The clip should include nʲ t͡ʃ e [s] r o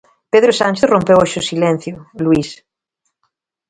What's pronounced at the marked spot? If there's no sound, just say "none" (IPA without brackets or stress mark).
θ